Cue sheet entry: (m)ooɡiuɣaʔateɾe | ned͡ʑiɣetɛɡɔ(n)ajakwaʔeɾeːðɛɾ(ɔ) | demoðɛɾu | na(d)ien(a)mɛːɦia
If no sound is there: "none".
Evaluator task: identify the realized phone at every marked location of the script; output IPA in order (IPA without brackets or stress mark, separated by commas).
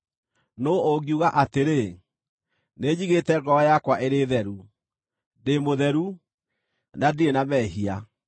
n, none, u, d, a